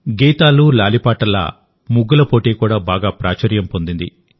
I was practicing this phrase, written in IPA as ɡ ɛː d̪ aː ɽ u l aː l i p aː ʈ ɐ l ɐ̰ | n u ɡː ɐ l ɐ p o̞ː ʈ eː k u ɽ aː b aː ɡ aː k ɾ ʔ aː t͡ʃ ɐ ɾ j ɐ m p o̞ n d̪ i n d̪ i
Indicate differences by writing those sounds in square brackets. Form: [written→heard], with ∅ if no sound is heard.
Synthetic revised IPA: ɡ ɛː [d̪→t̪] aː [ɽ→l] u l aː l i p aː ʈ ɐ l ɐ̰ | [n→m] u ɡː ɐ l ɐ p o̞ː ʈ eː k [u→uː] ɽ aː b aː ɡ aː [k→p] ɾ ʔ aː t͡ʃ ɐ ɾ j ɐ m p o̞ n d̪ i n d̪ i